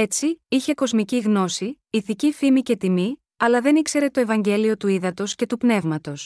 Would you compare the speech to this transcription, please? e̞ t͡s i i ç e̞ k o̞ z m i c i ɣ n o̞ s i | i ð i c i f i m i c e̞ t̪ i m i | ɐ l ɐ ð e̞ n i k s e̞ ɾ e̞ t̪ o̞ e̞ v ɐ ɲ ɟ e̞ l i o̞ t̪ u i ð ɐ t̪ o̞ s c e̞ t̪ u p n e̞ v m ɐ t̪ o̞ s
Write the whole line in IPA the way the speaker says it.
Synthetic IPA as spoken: e̞ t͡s i i ç e̞ k o̞ z m i c i ɣ n o̞ s i | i θ i c i f i m i c e̞ t̪ i m i | ɐ l ɐ ð e̞ n i k s e̞ ɾ e̞ t̪ o̞ e̞ v ɐ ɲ ɟ e̞ l i o̞ t̪ u i ð ɐ t̪ o̞ s c e̞ t̪ u p n e̞ v m ɐ t̪ o̞ s